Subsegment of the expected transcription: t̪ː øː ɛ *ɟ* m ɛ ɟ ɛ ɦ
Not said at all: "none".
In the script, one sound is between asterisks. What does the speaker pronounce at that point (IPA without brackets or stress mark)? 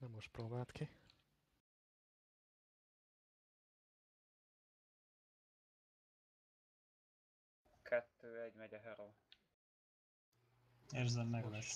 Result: ɟ